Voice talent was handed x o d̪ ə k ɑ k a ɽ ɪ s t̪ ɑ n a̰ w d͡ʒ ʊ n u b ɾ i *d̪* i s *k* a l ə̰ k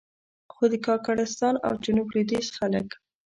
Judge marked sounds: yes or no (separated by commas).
yes, no